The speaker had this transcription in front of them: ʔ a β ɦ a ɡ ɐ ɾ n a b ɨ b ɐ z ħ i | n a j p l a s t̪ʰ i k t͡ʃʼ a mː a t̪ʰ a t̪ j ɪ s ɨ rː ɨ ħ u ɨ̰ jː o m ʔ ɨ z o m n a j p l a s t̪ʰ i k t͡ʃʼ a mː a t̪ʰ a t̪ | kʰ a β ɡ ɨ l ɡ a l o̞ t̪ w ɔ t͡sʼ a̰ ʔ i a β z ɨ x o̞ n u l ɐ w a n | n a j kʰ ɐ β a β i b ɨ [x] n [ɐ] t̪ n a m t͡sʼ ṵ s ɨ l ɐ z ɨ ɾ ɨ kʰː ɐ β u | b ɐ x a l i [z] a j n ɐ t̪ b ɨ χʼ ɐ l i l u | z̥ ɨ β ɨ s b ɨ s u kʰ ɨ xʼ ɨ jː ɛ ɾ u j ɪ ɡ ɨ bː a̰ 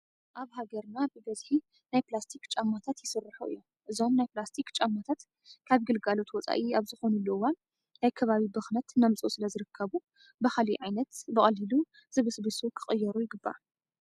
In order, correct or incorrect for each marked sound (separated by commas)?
correct, correct, incorrect